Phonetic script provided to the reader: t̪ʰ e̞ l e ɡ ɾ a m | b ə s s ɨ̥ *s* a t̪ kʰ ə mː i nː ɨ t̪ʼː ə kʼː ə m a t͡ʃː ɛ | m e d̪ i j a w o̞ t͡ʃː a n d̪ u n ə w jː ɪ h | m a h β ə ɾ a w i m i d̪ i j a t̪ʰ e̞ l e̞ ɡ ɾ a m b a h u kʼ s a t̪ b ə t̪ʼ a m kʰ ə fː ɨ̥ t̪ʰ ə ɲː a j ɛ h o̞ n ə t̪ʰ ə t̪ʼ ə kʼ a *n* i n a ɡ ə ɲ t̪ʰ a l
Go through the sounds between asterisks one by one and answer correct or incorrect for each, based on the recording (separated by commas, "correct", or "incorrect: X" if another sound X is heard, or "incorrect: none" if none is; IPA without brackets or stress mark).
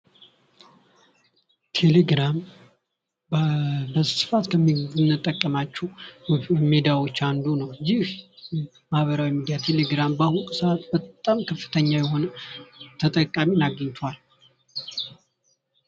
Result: incorrect: f, incorrect: m